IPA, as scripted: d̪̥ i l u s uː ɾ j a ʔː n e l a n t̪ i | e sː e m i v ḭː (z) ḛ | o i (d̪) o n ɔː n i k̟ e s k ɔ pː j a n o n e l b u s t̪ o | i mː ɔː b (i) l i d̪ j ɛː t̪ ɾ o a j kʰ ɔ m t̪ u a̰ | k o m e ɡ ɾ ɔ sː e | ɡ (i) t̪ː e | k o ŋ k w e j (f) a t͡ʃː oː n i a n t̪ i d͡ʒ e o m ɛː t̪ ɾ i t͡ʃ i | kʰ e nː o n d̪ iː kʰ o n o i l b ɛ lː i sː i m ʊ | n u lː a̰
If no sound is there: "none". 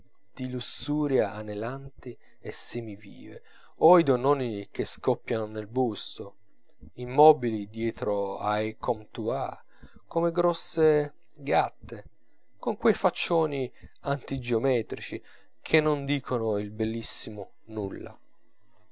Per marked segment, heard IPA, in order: v, d̪, i, a, f

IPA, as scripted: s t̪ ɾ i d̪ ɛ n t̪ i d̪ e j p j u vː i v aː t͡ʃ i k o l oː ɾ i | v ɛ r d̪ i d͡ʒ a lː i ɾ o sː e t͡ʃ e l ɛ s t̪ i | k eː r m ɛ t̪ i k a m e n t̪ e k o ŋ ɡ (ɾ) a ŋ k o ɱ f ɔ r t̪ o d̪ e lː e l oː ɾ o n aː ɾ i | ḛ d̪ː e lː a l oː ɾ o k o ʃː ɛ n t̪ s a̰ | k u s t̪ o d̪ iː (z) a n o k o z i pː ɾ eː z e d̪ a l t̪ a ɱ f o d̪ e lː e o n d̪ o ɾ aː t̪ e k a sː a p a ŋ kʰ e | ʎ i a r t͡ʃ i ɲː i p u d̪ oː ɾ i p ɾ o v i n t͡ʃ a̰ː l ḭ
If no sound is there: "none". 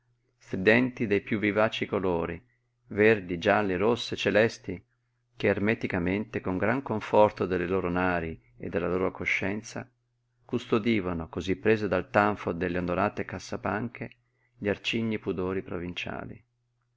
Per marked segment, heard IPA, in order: ɾ, v

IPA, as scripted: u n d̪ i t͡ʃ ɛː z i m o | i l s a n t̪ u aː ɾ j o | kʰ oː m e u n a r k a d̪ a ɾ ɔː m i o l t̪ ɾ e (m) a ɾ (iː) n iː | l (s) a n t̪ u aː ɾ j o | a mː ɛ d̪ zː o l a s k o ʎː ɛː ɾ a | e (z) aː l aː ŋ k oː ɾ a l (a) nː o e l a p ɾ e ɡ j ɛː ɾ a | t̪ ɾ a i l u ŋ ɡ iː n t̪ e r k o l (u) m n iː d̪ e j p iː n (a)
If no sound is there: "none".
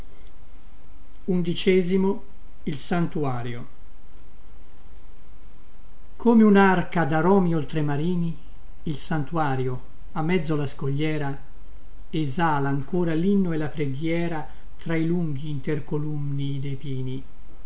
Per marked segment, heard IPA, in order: m, iː, s, z, i, u, i

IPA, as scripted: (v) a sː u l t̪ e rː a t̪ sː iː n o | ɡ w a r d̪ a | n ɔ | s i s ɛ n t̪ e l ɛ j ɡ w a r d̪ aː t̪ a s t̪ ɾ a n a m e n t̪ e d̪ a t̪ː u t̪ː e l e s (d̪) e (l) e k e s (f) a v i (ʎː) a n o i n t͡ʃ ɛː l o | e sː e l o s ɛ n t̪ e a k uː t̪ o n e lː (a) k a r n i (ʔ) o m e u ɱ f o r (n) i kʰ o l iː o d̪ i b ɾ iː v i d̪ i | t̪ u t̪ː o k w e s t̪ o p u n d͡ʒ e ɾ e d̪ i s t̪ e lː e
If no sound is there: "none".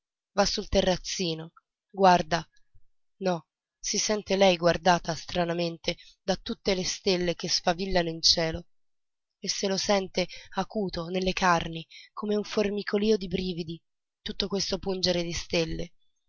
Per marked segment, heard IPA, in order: v, t̪, lː, f, lː, e, k, m

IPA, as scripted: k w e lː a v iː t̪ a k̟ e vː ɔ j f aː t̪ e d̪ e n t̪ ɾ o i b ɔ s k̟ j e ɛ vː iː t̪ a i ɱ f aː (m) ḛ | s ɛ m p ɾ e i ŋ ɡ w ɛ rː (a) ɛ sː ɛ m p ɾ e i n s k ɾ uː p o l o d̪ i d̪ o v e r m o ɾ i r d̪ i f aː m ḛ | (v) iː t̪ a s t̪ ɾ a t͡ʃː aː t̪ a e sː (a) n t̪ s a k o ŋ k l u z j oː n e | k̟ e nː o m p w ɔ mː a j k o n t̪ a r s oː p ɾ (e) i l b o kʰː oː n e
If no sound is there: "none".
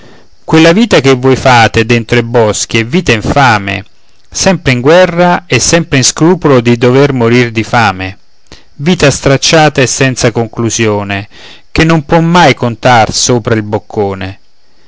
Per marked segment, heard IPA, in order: m, a, v, ɛ, a

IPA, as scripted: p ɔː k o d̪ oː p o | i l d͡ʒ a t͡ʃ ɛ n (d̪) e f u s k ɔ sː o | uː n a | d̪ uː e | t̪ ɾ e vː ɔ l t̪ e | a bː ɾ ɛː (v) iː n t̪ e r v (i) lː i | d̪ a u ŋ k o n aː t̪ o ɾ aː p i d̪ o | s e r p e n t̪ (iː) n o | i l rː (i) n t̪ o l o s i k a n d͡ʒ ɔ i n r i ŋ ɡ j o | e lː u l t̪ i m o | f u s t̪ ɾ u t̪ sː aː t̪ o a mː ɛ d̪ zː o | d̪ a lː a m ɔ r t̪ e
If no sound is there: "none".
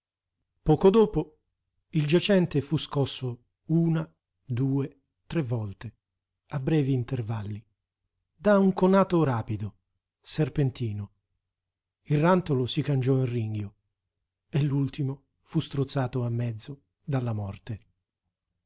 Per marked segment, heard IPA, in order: t̪, v, a, iː, a

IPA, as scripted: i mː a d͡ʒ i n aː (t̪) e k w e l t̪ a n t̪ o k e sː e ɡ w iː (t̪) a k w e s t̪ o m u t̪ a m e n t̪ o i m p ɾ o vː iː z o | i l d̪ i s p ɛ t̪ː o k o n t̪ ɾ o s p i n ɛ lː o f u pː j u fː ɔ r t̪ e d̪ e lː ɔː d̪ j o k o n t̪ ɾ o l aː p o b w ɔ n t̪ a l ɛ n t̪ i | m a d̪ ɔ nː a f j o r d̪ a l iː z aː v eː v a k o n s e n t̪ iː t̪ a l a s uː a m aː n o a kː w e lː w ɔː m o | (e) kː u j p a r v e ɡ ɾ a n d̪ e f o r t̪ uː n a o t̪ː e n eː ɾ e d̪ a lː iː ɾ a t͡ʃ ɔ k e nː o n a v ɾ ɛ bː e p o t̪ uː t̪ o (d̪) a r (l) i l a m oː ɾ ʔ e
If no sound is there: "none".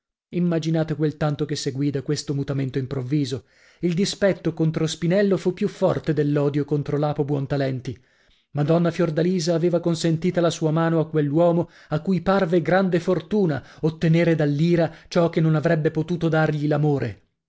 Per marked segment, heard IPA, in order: t̪, d̪, a, d̪, ʎ

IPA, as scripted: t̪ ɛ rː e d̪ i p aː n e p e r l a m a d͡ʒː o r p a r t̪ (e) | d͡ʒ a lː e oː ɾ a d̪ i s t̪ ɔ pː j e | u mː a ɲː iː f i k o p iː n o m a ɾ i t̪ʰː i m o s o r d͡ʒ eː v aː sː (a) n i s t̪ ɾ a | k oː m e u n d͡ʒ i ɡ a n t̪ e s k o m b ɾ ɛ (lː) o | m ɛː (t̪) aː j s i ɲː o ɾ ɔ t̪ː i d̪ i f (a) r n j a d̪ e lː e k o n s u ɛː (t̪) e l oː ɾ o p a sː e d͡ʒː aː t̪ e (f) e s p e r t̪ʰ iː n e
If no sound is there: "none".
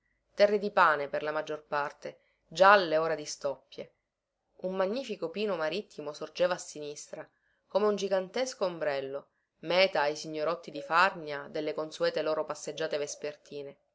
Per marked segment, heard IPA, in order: e, i, lː, t̪, a, t̪, v

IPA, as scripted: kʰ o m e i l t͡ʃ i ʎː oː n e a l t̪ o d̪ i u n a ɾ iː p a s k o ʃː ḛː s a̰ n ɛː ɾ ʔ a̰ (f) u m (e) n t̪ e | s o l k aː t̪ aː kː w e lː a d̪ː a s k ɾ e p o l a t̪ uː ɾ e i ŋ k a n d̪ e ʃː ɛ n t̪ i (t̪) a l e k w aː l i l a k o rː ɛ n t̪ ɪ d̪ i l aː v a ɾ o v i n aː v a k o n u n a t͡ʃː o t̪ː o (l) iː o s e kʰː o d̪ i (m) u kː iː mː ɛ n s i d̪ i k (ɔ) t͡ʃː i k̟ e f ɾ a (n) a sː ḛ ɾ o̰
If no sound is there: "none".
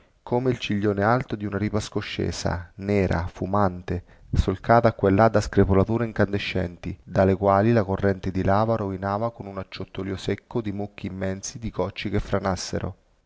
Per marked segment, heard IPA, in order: f, a, d̪, l, m, ɔ, n

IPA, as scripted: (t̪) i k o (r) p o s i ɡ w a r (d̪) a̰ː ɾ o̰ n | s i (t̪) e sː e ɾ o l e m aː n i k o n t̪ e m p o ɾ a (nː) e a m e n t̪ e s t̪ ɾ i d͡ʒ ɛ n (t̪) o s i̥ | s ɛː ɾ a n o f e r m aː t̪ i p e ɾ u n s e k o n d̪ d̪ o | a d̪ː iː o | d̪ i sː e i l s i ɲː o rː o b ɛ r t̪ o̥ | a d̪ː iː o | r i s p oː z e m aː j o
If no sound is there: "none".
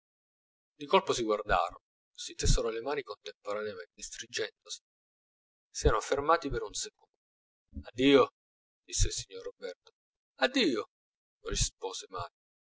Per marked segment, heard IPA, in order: d̪, l, d̪, t̪, n, d̪

